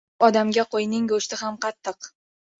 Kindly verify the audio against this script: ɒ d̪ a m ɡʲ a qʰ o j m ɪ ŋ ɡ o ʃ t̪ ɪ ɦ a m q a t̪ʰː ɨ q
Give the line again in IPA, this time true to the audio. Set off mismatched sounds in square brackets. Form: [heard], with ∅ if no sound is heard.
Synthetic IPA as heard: ɒ d̪ a m ɡʲ a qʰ o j [n] ɪ ŋ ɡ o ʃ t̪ ɪ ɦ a m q [ɑ] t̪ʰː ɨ q